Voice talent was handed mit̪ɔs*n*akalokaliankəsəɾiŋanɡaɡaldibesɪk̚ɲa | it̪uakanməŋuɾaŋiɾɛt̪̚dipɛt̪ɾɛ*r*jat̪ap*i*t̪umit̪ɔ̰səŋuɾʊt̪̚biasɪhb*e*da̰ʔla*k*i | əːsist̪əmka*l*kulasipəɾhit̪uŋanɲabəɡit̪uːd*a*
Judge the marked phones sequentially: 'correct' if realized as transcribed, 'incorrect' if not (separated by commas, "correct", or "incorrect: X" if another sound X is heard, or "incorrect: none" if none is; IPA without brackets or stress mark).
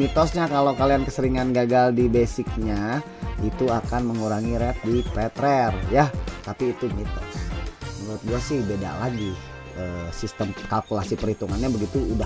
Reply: incorrect: ɲ, correct, incorrect: iː, correct, incorrect: ɡ, correct, correct